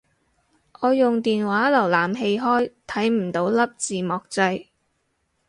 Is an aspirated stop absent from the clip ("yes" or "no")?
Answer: no